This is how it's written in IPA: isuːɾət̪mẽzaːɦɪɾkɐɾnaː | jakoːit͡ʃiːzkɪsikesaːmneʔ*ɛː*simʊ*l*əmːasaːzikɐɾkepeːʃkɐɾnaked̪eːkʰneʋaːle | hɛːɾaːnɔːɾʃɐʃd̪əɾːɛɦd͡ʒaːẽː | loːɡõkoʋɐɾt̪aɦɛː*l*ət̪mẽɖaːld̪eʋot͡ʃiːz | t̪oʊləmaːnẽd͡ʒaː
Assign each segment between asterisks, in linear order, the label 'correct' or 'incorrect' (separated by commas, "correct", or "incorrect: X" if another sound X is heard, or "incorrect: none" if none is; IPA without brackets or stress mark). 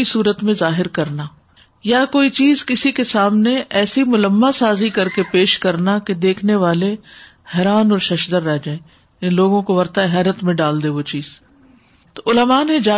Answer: correct, correct, incorrect: ɾ